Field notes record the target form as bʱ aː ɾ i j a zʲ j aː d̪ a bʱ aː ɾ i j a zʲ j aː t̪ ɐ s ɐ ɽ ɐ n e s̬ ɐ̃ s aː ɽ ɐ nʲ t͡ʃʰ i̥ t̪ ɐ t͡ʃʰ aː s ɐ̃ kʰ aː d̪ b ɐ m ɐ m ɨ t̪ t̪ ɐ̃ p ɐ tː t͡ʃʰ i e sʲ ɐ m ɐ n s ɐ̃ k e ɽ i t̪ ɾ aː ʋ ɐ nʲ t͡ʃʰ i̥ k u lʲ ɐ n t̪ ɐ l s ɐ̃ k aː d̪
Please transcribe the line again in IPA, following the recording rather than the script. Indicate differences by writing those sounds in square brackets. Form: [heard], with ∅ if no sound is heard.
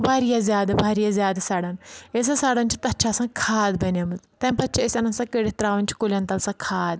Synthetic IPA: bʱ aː ɾ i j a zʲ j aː d̪ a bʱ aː ɾ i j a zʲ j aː [d̪] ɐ s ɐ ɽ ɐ n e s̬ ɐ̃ s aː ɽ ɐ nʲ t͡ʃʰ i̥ t̪ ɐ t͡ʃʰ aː s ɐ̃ kʰ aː d̪ b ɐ [n] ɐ m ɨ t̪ t̪ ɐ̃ p ɐ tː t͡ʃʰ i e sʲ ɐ [n] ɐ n s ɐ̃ k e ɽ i t̪ ɾ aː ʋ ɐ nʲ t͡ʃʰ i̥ k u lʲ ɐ n t̪ ɐ l s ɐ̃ [kʰ] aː d̪